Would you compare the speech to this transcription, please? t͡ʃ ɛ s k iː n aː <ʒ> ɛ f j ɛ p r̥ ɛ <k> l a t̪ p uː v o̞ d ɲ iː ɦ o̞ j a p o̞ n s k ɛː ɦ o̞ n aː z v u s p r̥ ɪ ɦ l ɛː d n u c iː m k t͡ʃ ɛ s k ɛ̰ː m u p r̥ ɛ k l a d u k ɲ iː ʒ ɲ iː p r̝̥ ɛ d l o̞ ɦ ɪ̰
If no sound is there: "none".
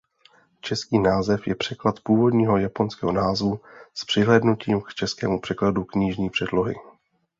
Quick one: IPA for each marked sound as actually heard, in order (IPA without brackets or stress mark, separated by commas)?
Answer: z, k